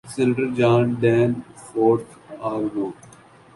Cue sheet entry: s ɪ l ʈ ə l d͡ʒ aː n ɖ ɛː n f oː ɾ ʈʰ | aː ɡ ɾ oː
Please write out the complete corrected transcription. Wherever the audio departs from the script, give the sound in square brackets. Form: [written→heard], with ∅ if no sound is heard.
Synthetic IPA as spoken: s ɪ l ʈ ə [l→ɾ] d͡ʒ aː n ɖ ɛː n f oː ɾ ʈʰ | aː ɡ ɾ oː